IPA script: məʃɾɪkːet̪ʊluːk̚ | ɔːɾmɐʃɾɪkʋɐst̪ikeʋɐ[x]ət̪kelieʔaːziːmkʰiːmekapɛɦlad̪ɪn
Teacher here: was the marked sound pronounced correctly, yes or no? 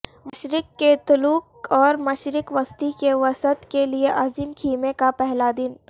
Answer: no